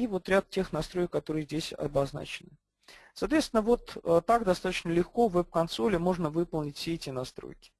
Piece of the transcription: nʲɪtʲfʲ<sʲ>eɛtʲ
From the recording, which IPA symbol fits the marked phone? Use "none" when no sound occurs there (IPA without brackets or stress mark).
sʲ